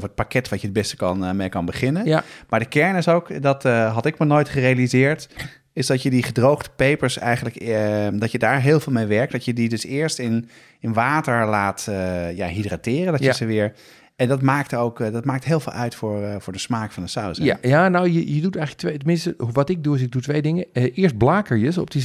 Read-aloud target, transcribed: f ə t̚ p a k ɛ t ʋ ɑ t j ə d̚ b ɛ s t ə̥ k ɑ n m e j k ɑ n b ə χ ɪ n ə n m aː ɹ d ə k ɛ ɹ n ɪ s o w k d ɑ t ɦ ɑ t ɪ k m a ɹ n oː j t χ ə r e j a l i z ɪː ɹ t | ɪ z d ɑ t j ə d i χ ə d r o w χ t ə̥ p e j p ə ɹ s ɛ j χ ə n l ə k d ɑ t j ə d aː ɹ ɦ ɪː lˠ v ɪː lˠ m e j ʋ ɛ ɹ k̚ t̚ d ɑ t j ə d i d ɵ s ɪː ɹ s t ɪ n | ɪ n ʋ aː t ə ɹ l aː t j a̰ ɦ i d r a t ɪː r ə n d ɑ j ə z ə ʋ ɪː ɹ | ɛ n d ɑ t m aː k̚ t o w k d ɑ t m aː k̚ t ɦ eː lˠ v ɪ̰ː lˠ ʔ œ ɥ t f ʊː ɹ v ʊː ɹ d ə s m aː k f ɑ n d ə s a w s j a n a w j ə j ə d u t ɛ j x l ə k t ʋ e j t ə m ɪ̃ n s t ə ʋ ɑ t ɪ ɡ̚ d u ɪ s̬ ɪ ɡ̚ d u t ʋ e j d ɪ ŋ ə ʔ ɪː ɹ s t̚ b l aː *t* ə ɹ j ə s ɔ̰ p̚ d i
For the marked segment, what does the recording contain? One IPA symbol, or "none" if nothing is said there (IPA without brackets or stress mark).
k